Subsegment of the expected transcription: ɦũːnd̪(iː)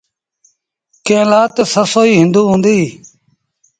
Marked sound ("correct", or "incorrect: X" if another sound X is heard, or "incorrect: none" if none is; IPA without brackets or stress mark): correct